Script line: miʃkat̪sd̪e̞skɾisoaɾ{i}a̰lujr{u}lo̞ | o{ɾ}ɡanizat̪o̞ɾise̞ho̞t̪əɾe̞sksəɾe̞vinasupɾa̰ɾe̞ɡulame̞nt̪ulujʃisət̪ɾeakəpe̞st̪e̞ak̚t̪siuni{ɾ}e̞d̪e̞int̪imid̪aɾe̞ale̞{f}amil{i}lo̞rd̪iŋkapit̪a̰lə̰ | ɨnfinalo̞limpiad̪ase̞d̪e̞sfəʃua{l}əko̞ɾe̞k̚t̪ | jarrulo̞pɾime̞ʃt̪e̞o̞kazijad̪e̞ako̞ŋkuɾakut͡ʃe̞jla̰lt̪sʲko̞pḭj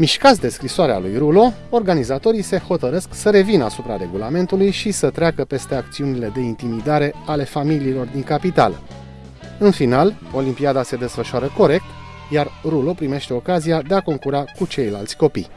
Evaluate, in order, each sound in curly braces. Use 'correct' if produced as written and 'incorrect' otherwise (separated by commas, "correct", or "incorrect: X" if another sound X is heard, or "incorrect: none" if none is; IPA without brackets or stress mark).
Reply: incorrect: e, correct, incorrect: r, incorrect: l, correct, incorrect: iː, incorrect: ɾ